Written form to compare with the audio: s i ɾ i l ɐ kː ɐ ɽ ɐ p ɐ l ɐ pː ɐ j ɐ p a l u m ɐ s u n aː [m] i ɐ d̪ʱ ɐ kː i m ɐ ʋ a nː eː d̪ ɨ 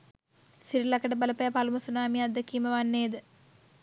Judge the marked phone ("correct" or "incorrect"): correct